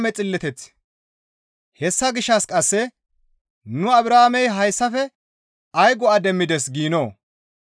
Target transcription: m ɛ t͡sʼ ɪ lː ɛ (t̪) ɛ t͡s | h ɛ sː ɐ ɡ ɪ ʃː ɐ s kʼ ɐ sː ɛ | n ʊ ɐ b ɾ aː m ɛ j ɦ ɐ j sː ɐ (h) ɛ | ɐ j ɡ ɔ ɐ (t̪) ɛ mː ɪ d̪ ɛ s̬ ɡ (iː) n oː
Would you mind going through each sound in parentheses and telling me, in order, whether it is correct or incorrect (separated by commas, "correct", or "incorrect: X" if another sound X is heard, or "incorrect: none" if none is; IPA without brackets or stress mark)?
correct, incorrect: f, incorrect: d̪, correct